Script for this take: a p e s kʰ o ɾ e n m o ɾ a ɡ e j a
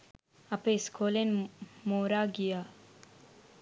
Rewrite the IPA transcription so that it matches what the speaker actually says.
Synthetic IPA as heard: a p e s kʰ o l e n m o ɾ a ɡ i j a